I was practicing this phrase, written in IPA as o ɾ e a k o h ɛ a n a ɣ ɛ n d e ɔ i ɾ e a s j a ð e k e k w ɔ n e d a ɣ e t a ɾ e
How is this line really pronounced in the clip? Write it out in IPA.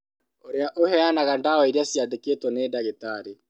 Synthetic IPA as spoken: o ɾ e a ʔ o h ɛ a n a ɣ a n d a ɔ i ɾ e a s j a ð e k e t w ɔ n e d a ɣ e t a ɾ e